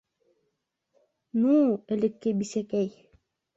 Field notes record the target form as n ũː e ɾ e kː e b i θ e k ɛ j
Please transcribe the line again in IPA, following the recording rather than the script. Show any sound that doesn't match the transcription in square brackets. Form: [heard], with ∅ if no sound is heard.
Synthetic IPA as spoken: n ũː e [l] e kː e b i [s] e k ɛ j